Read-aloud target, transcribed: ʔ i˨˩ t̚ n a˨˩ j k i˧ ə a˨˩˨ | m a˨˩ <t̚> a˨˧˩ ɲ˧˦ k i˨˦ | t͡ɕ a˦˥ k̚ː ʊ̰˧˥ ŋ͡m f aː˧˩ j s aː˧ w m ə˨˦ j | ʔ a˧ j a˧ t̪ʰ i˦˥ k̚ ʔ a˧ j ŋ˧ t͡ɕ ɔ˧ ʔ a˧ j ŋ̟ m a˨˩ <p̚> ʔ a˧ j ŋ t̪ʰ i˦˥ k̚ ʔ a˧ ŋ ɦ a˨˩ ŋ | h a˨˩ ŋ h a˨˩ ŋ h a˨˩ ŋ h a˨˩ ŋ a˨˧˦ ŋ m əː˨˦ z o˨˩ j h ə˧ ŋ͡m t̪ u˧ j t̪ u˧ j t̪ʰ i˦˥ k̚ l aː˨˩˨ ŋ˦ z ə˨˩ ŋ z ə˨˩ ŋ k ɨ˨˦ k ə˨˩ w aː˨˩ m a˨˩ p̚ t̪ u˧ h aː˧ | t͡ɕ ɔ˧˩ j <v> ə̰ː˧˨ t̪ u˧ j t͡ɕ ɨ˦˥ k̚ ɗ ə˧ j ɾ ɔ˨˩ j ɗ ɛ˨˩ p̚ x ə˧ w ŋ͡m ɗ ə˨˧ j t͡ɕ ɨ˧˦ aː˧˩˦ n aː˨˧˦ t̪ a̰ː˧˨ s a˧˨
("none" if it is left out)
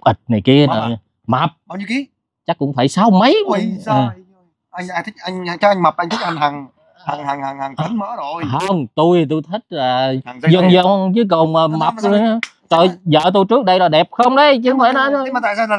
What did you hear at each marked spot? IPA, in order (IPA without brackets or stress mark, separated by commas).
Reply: p̚, p̚, z